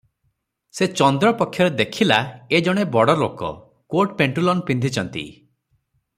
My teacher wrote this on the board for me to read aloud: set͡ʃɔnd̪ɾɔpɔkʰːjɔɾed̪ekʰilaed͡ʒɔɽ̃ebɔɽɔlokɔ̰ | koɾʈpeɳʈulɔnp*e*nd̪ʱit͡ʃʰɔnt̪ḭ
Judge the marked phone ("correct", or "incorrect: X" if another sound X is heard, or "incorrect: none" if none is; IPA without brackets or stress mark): incorrect: i